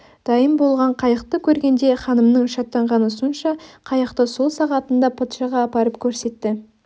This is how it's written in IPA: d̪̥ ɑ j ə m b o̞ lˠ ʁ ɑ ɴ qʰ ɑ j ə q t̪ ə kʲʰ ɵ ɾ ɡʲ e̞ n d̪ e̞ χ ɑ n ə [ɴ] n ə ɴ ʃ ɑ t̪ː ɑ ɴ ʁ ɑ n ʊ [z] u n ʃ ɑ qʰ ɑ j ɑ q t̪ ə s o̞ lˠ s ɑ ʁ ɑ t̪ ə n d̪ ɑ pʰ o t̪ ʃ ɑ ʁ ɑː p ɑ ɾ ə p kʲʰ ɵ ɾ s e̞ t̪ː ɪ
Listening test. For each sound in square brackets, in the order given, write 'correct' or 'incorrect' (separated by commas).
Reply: incorrect, incorrect